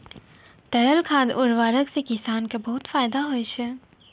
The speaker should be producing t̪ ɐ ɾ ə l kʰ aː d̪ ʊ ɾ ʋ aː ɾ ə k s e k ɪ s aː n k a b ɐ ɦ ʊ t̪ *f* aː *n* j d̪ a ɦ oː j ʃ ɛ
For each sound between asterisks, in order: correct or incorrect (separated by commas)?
correct, incorrect